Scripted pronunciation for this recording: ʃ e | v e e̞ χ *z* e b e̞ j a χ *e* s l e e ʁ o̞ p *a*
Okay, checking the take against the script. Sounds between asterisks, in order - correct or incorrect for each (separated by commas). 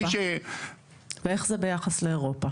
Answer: correct, incorrect, correct